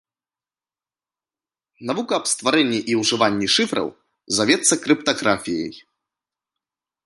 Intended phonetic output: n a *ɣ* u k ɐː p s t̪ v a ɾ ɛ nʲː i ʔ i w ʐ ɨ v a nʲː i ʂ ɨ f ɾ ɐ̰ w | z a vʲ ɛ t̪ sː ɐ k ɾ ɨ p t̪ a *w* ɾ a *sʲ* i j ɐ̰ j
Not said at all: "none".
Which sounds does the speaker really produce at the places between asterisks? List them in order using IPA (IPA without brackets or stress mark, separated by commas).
v, ɣ, fʲ